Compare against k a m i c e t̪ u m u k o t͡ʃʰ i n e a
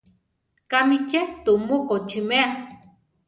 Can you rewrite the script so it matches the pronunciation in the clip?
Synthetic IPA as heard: k a m i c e t̪ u m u k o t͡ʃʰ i m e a